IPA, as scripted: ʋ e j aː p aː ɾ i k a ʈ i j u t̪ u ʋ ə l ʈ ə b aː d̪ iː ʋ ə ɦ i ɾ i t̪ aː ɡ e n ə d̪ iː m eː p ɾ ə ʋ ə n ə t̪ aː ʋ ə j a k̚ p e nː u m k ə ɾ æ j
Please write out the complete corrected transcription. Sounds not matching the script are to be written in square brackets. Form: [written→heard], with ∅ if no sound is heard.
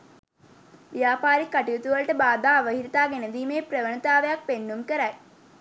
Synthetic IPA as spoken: ʋ [e→i] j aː p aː ɾ i k a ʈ i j u t̪ u ʋ ə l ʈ ə b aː d̪ [iː→aː] ʋ ə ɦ i ɾ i t̪ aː ɡ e n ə d̪ iː m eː p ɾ ə ʋ ə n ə t̪ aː ʋ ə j a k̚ p e nː u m k ə ɾ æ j